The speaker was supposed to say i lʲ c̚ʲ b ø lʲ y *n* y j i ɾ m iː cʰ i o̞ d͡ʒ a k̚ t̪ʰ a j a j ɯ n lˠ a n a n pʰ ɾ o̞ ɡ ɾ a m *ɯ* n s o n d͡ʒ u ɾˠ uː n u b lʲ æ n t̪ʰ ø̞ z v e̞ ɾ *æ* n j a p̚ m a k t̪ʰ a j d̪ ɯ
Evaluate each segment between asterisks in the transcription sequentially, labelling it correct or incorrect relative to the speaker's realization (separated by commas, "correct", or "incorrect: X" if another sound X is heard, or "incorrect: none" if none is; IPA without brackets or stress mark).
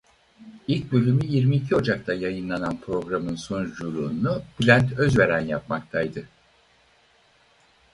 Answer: incorrect: m, correct, correct